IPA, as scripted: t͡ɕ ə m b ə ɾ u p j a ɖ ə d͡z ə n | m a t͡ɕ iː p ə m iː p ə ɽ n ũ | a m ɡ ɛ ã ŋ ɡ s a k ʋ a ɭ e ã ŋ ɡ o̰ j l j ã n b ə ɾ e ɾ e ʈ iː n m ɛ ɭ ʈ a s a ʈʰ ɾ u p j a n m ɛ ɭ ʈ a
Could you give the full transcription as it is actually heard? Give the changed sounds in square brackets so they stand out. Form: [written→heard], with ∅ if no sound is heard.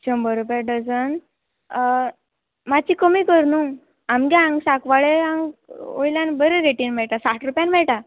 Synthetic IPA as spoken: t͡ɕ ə m b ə ɾ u p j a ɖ ə d͡z ə n | m a t͡ɕ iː [p→k] ə m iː [p→k] ə [ɽ→ɾ] n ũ | a m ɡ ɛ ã ŋ ɡ s a k ʋ a ɭ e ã ŋ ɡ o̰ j l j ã n b ə ɾ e ɾ e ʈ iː n m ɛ ɭ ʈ a s a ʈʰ ɾ u p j a n m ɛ ɭ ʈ a